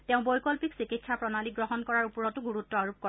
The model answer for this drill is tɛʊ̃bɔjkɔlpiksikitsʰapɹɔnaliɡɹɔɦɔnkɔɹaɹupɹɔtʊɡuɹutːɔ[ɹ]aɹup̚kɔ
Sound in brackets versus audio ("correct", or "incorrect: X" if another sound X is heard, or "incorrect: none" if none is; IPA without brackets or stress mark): incorrect: none